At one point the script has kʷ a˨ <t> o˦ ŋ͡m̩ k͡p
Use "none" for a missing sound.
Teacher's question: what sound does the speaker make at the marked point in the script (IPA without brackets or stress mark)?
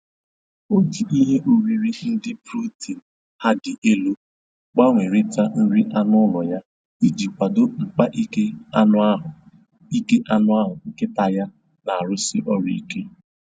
d